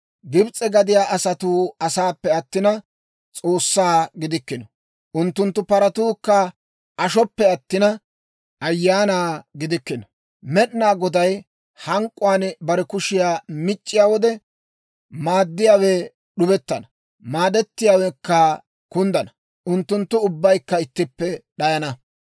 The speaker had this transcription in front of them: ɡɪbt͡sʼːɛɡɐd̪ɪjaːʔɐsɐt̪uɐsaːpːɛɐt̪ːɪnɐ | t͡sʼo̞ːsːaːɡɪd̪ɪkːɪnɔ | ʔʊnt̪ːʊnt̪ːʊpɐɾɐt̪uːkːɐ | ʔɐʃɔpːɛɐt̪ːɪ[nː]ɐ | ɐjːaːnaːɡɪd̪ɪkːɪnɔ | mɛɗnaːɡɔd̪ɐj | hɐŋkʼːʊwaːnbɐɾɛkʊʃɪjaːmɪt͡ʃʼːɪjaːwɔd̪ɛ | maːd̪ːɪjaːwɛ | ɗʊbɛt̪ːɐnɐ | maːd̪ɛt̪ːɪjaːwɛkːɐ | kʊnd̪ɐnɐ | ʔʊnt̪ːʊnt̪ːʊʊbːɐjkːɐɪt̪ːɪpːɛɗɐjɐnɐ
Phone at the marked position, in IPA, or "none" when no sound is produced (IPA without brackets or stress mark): n